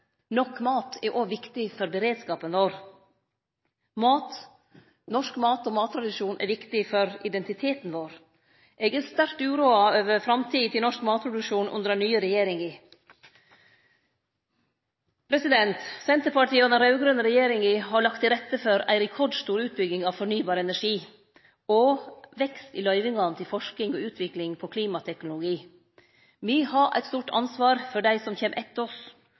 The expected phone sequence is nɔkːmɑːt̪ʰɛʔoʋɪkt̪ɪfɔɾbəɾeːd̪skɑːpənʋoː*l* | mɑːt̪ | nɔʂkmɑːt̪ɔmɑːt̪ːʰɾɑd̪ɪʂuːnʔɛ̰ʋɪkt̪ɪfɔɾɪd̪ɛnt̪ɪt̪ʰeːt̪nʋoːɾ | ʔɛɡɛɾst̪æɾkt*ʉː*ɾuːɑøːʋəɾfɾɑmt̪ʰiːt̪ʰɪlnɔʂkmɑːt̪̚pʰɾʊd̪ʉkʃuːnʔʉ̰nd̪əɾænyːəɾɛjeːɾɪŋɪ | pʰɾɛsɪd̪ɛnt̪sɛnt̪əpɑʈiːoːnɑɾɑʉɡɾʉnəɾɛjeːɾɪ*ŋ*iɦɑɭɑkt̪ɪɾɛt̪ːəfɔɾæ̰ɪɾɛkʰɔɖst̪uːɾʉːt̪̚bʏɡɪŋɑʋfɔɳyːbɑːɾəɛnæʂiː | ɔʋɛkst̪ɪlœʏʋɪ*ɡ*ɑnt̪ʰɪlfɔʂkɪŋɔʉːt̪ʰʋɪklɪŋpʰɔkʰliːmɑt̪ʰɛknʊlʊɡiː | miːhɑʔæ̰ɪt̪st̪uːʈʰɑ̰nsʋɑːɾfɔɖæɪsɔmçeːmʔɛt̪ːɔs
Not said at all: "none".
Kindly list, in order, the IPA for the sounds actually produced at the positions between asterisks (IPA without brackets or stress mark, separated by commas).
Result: ɾ, ʉː, ŋ, ŋ